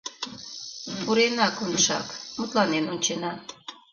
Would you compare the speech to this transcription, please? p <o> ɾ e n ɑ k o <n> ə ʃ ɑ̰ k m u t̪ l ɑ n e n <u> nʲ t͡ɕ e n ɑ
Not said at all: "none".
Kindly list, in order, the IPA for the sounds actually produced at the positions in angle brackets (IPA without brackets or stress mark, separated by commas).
u, n, o